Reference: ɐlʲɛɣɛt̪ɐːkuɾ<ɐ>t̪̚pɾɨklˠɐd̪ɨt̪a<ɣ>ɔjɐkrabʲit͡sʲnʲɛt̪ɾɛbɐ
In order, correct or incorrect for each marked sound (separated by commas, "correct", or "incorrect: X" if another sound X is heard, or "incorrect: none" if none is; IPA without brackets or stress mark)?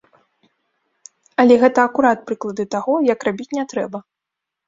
incorrect: a, correct